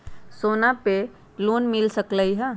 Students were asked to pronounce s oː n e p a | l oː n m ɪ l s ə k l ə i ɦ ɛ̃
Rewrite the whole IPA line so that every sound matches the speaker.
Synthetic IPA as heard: s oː n a p e | l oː n m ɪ l s ə k l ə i ɦ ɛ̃